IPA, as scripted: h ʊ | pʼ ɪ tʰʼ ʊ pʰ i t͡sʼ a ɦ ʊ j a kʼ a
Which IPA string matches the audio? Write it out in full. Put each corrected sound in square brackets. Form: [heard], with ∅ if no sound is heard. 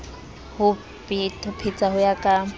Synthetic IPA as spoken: h ʊ | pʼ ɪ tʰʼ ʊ pʰ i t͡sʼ a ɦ ʊ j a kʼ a